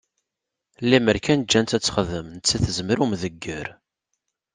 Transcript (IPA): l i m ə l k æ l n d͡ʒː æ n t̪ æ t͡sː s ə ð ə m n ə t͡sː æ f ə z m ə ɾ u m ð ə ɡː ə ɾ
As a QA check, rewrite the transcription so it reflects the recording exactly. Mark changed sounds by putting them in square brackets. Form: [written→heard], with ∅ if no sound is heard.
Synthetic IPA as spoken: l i m ə [l→ɾ] k æ [l→∅] n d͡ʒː æ n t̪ æ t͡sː [s→χ] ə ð ə m n ə t͡sː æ [f→θ] ə z m ə ɾ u m ð ə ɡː ə ɾ